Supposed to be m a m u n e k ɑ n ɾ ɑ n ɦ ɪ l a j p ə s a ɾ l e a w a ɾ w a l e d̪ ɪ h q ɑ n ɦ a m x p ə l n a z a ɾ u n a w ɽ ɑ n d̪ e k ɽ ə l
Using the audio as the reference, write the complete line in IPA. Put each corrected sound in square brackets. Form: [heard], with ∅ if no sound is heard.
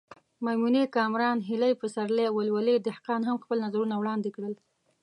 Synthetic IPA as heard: m a m u n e k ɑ [m] ɾ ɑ n ɦ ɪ l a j p ə s a ɾ l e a w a [l] w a l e d̪ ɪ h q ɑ n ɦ a m x p ə l n a z a ɾ u n a w ɽ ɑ n d̪ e k ɽ ə l

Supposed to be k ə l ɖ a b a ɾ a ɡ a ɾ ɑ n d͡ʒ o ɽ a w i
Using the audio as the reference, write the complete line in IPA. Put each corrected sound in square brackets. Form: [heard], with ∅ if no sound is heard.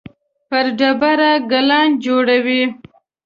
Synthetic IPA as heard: [p] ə [ɾ] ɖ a b a ɾ a ɡ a [l] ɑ n d͡ʒ o ɽ a w i

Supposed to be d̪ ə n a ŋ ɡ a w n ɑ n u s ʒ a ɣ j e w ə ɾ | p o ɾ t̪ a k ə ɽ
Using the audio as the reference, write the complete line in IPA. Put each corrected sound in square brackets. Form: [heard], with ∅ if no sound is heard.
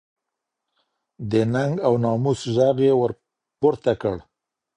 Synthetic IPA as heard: d̪ ə n a ŋ ɡ a w n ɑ [m] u s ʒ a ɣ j e w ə ɾ | p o ɾ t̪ a k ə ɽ

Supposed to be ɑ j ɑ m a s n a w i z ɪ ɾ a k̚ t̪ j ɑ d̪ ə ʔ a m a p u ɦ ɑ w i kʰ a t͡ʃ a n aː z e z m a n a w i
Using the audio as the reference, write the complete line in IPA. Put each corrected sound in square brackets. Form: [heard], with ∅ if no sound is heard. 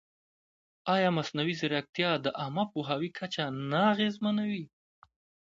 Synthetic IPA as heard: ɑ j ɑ m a s n a w i z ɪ ɾ a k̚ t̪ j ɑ d̪ ə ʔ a m a p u ɦ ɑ w i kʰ a t͡ʃ a n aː [ɣ] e z m a n a w i

